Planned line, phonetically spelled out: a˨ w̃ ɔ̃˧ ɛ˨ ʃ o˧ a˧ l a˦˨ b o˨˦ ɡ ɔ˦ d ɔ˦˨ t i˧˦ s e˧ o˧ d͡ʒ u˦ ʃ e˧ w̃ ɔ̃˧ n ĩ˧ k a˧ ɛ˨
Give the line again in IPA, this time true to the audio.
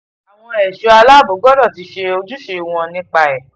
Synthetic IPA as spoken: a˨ w̃ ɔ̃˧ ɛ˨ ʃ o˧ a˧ l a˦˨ b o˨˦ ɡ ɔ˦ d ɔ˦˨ t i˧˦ ʃ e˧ o˧ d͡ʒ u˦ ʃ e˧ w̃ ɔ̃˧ n ĩ˧ k͡p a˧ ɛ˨

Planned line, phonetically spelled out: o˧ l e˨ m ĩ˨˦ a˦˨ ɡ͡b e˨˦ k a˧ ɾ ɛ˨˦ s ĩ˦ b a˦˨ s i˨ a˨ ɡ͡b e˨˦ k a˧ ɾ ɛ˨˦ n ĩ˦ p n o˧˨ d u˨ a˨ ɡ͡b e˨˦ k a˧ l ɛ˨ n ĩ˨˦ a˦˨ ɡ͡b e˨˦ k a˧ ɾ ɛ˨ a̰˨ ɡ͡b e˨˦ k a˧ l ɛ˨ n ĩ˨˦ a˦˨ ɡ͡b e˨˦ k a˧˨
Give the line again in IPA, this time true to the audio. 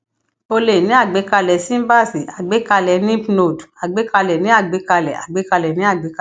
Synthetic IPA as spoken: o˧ l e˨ n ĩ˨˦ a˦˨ ɡ͡b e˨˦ k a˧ l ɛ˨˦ s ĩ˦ b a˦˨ s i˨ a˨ ɡ͡b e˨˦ k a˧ l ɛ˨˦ n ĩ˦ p n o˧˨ d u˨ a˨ ɡ͡b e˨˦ k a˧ l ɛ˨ n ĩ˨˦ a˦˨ ɡ͡b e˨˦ k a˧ l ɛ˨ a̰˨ ɡ͡b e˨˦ k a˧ l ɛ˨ n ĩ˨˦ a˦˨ ɡ͡b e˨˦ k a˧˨

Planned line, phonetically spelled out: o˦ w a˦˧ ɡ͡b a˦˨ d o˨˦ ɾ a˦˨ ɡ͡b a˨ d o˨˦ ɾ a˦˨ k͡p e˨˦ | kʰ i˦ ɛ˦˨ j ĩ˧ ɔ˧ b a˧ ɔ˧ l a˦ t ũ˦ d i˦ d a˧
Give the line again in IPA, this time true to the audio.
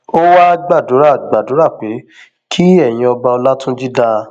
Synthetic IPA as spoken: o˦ w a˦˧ ɡ͡b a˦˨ d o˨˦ ɾ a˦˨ ɡ͡b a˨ d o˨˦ ɾ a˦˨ k͡p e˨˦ | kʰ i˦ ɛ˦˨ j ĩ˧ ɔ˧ b a˧ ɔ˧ l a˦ t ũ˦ d͡ʒ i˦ d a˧

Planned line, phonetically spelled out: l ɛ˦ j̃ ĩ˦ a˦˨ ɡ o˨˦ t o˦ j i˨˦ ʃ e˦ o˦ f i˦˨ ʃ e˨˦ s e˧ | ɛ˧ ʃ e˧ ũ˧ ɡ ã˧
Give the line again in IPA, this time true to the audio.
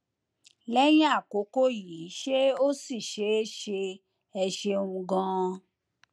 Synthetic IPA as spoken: l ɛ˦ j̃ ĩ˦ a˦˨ k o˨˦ k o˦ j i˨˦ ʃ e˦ o˦ s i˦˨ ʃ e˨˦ ʃ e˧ | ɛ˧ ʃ e˧ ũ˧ ɡ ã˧

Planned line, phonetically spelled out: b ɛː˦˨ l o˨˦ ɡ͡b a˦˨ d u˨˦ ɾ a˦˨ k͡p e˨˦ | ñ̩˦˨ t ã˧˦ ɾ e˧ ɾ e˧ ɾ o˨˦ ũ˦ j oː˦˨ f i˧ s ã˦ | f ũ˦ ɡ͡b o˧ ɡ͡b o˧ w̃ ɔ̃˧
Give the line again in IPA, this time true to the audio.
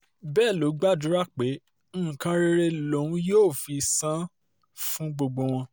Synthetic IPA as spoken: b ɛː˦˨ l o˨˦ ɡ͡b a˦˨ d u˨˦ ɾ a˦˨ k͡p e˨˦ | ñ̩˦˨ k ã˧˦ ɾ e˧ ɾ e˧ l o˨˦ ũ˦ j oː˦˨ f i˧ s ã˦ | f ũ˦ ɡ͡b o˧ ɡ͡b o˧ w̃ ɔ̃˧

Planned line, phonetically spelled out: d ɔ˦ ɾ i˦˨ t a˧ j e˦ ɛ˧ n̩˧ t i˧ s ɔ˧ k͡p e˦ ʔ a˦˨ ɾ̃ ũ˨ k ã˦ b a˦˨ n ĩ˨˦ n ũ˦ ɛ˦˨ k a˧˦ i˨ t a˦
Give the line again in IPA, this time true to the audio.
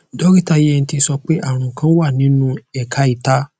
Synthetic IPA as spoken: d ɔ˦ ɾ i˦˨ t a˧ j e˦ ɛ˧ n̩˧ t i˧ s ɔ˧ k͡p e˦ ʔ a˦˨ ɾ̃ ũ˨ k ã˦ w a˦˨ n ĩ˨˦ n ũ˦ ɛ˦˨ k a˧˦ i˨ t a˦

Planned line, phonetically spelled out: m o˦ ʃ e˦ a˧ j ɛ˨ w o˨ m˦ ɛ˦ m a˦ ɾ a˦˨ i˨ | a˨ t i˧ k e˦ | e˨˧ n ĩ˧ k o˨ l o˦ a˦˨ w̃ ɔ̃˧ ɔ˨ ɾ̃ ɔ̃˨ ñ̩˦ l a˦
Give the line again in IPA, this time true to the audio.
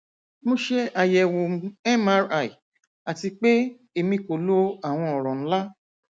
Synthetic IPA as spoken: m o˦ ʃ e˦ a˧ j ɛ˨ w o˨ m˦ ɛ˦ m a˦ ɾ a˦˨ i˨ | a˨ t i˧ k͡p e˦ | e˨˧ m ĩ˧ k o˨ l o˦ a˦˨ w̃ ɔ̃˧ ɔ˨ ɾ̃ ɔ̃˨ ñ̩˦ l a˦

